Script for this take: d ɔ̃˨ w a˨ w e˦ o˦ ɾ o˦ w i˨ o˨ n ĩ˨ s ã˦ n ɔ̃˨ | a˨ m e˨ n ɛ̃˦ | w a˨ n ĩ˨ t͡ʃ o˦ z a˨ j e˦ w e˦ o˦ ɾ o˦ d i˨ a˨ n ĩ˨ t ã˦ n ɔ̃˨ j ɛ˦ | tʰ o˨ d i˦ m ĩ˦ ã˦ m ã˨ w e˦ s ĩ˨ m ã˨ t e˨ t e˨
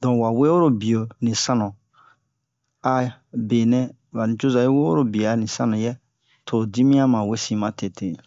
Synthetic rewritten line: d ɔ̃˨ w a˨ w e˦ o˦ ɾ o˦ b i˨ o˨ n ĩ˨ s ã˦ n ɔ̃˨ | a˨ b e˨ n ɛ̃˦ | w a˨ n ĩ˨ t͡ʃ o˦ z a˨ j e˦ w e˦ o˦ ɾ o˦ b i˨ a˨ n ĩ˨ s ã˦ n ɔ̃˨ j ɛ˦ | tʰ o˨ d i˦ m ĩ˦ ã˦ m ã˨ w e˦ s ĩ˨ m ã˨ t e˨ t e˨